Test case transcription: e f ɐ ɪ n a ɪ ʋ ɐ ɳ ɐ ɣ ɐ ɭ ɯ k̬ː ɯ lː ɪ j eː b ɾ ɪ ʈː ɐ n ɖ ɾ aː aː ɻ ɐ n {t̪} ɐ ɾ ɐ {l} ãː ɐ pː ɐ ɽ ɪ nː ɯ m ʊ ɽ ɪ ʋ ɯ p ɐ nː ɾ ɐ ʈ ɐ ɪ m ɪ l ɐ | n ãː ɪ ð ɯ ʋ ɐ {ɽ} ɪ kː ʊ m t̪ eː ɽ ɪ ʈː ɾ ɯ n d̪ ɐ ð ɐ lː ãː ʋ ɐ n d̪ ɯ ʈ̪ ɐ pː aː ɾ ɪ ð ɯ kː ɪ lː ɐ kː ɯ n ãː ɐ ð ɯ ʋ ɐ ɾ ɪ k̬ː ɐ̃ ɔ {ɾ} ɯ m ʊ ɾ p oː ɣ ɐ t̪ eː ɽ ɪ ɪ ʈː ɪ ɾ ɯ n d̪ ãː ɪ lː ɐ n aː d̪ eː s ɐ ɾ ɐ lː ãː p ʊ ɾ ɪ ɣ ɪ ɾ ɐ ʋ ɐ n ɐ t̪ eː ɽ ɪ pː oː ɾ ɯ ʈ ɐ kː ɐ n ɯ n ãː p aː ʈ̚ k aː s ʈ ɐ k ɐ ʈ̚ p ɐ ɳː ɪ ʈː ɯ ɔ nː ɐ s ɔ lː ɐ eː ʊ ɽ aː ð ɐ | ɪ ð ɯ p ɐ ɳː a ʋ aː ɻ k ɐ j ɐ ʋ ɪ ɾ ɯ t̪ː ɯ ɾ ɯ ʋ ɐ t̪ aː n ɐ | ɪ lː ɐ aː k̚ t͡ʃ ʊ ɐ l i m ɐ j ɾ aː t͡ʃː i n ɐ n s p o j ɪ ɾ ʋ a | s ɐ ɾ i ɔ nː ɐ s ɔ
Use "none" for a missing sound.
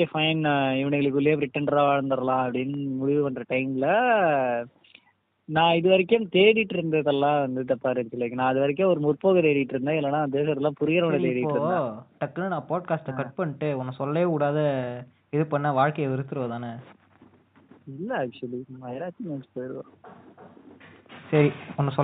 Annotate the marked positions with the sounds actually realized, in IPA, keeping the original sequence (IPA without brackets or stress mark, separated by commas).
d̪, l, ɾ, ɾ